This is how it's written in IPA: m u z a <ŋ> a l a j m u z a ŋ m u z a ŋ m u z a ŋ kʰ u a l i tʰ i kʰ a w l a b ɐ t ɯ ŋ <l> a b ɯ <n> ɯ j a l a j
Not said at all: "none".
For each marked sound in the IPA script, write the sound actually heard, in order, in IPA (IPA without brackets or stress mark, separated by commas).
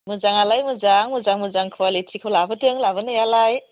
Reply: ŋ, l, n